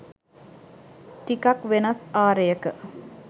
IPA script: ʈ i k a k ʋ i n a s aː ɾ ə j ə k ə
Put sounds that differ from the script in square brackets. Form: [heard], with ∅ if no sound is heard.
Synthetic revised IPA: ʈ i k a k ʋ [e] n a s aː ɾ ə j ə k ə